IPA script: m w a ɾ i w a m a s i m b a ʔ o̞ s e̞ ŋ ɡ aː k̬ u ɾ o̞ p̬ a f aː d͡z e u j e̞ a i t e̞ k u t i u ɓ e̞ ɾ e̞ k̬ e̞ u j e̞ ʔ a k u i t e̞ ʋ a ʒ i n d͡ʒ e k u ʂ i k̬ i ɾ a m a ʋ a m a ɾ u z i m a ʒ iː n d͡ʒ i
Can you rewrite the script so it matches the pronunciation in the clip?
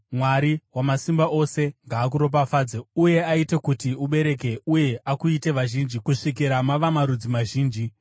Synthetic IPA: m w a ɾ i w a m a s i m b a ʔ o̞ s e̞ ŋ ɡ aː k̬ u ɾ o̞ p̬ a f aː d͡z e u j e̞ a i t e̞ k u t i u ɓ e̞ ɾ e̞ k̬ e̞ u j e̞ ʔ a k u i t e̞ ʋ a ʒ i n d͡ʒ i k u ʂ i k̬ i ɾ a m a ʋ a m a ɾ u d͡z i m a ʒ iː n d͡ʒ i